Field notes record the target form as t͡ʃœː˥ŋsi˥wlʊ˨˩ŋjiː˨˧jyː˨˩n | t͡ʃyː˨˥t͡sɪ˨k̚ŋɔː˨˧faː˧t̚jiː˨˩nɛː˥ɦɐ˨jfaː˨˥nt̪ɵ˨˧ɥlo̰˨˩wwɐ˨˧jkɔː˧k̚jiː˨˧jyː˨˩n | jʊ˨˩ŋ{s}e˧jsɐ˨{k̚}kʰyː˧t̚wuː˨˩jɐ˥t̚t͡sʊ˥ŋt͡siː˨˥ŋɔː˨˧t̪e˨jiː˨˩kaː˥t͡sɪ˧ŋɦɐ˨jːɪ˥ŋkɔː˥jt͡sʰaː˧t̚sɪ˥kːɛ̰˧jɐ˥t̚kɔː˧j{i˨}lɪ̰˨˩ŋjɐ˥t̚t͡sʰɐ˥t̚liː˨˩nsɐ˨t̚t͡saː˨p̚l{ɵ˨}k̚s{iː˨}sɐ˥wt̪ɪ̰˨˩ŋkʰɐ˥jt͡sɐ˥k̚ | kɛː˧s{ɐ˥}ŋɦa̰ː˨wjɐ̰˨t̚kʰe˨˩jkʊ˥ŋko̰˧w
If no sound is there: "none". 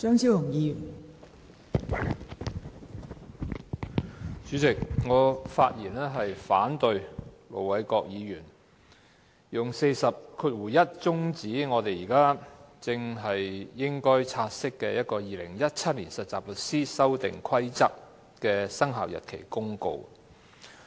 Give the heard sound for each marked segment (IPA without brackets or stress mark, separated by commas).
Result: s, p̚, iː˨, ɵ˨, iː˥, ɐ˥